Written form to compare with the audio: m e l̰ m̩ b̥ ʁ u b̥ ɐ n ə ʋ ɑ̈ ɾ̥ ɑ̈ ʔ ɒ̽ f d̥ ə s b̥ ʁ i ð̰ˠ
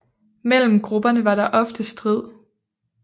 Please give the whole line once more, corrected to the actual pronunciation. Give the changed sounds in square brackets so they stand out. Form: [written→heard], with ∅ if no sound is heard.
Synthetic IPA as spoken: m e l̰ m̩ [b̥→ɡ̥] ʁ u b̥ ɐ n ə ʋ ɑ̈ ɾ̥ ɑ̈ ʔ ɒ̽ f d̥ ə s [b̥→d̥] ʁ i ð̰ˠ